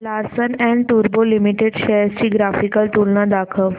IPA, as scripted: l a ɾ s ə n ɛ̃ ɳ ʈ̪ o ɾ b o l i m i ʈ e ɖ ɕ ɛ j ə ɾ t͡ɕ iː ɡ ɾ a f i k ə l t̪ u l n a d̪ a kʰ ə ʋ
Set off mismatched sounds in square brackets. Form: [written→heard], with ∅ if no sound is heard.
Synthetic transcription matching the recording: l a ɾ s ə n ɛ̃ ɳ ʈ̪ [o→u] ɾ b o l i m i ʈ e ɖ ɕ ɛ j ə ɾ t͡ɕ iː ɡ ɾ a f i k ə l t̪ u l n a d̪ a kʰ ə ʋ

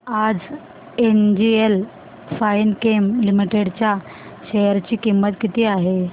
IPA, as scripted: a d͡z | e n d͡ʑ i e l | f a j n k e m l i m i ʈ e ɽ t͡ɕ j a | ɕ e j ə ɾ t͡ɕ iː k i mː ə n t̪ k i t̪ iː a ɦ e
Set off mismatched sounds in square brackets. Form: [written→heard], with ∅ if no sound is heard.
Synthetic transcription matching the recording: a d͡z | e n d͡ʑ i e l | f a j n k e m l i m i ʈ e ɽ t͡ɕ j a | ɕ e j ə ɾ t͡ɕ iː k i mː ə [n→∅] t̪ k i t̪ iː a ɦ e

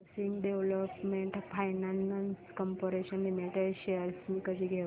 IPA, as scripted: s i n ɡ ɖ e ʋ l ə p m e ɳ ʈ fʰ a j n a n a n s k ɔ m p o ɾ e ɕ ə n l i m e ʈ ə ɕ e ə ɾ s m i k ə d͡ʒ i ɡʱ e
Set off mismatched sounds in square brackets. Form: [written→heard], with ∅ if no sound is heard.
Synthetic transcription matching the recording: s i [n→ŋ] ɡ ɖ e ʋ l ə p m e ɳ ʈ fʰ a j n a n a n s k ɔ m p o ɾ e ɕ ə n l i m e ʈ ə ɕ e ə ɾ s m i k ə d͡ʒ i ɡʱ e

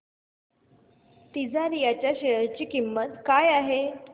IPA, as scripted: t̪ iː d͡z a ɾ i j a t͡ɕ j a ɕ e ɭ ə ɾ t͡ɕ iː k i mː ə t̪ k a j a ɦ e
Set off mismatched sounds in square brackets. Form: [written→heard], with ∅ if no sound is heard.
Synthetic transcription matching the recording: t̪ [iː→i] d͡z a ɾ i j a t͡ɕ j a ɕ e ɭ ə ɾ t͡ɕ iː k i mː ə t̪ k a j a ɦ e

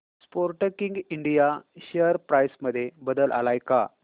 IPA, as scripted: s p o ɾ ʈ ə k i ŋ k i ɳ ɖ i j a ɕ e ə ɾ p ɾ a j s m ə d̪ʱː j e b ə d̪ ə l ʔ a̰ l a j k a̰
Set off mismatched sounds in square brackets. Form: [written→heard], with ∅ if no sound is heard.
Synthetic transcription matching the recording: s p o ɾ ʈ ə k i ŋ [k→ɡ] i ɳ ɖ i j a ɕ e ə ɾ p ɾ a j s m ə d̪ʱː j e b ə d̪ ə l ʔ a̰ l a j k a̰

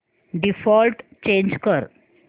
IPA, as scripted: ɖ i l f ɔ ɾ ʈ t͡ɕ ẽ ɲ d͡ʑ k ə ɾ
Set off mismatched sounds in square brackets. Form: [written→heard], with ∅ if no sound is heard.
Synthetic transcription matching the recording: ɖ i [l→∅] f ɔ [ɾ→l] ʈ t͡ɕ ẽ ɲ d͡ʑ k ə ɾ

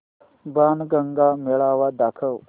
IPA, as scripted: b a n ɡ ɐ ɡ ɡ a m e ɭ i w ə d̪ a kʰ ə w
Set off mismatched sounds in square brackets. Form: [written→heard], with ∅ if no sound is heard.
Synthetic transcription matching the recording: b a n ɡ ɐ [ɡ→ŋ] ɡ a m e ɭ [i→a] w [ə→a] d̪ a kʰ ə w

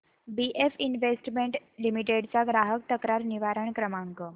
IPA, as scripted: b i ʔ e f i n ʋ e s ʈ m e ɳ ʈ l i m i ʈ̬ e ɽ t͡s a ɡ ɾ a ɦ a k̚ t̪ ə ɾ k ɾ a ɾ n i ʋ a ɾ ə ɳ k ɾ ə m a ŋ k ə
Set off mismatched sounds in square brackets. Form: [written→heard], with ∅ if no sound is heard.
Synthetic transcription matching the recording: b i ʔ e f i n ʋ e s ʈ m e ɳ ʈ l i m i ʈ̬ e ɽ t͡s a ɡ ɾ a ɦ [a→ə] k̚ t̪ ə [ɾ→∅] k ɾ a ɾ n i ʋ a ɾ ə ɳ k ɾ ə m a ŋ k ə

